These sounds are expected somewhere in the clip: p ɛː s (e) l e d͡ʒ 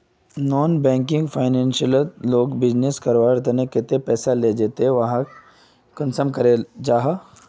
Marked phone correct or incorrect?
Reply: incorrect